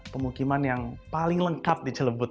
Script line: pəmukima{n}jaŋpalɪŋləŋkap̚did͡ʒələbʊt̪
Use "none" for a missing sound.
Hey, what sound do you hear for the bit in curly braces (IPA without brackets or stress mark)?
n